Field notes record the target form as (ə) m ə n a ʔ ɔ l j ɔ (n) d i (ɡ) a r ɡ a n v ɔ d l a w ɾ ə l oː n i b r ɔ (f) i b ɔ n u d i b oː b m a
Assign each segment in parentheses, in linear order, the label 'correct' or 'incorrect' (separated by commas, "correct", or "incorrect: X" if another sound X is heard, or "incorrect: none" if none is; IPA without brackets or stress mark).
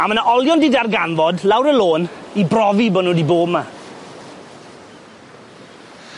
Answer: incorrect: a, correct, incorrect: d, incorrect: v